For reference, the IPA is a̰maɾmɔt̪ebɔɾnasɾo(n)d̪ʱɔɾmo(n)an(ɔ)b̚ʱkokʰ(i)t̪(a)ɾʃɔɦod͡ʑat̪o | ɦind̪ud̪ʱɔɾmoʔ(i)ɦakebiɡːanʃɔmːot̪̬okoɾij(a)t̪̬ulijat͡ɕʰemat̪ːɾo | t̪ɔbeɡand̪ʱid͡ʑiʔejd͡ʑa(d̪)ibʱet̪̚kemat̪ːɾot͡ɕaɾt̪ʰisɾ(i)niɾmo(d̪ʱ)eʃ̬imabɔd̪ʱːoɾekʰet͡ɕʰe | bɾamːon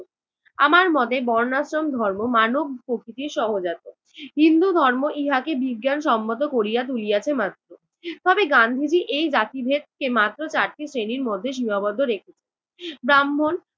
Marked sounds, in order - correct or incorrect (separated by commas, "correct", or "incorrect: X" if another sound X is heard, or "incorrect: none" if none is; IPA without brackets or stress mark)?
incorrect: m, incorrect: m, incorrect: o, correct, incorrect: i, correct, correct, incorrect: t̪, incorrect: e, incorrect: d̪ʱː